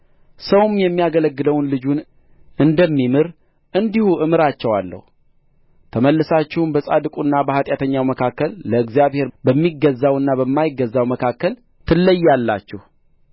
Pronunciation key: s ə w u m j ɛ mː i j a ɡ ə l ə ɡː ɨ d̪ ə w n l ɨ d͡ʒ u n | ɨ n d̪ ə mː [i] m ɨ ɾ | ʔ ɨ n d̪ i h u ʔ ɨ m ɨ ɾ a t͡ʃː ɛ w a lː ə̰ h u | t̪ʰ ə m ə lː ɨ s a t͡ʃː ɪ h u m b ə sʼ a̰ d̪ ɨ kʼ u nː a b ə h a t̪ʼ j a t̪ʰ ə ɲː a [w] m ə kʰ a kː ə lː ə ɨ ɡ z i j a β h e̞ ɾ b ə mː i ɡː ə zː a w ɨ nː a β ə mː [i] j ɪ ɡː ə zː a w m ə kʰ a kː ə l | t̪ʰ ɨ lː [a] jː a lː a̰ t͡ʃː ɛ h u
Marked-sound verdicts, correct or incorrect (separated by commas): correct, correct, incorrect, incorrect